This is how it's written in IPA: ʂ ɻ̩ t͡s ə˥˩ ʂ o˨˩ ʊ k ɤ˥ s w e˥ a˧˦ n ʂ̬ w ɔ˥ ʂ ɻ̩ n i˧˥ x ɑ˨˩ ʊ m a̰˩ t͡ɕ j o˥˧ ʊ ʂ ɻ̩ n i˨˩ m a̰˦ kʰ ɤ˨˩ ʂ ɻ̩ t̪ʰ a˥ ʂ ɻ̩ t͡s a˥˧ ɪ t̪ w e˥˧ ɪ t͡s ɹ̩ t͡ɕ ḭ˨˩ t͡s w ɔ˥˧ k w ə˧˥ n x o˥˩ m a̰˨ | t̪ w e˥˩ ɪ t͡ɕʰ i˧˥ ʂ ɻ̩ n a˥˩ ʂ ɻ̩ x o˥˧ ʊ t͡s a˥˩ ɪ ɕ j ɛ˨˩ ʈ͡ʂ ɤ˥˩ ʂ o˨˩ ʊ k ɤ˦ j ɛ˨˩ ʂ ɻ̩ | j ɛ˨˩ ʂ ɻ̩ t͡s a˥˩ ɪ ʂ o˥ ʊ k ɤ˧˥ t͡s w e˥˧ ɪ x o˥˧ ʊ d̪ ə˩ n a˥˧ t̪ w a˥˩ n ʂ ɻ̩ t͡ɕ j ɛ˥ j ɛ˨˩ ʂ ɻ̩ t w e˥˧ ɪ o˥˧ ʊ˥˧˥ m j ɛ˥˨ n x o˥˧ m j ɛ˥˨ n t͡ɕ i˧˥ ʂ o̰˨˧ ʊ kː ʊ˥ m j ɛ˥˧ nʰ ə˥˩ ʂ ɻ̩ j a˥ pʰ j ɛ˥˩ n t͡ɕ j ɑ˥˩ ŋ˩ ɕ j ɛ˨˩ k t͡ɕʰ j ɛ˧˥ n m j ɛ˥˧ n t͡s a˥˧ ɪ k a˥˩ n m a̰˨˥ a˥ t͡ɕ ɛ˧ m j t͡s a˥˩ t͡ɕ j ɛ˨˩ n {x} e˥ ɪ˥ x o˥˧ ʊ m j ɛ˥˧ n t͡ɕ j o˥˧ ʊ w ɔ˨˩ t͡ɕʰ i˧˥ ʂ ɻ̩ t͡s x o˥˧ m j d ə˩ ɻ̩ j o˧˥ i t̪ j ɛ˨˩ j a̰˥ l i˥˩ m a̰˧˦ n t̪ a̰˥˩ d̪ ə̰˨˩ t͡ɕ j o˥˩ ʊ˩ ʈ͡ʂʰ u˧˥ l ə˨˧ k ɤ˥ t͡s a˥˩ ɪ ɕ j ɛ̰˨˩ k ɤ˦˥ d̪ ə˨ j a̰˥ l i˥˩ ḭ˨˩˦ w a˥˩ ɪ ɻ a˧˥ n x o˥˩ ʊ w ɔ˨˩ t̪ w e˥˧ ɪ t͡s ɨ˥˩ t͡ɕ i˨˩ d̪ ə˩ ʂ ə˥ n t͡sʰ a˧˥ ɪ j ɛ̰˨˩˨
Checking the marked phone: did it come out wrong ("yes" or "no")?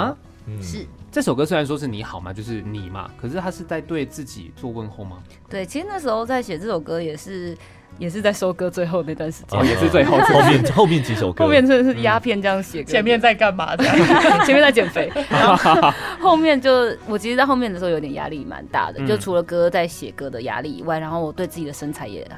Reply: yes